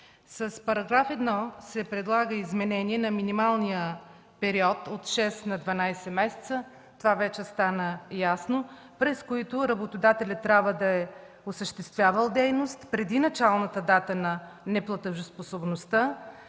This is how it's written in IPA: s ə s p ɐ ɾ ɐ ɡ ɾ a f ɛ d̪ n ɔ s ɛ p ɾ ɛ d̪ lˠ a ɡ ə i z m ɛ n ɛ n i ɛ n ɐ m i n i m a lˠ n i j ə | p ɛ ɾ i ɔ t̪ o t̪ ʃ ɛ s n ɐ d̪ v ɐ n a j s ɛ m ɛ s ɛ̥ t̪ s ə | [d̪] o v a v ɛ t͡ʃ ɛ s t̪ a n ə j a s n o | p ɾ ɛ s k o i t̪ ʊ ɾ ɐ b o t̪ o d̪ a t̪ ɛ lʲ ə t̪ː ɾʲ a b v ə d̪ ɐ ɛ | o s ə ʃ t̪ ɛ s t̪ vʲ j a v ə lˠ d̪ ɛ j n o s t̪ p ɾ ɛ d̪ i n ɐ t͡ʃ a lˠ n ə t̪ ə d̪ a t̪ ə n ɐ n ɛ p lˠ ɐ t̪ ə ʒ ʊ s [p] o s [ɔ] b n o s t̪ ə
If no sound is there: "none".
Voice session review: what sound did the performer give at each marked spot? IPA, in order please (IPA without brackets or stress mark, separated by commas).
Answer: t̪, p, o